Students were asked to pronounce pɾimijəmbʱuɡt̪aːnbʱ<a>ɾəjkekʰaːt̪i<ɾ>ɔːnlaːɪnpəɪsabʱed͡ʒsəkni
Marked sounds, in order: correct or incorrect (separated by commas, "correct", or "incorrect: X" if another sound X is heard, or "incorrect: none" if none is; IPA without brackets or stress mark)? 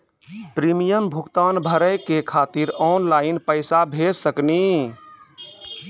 incorrect: ə, correct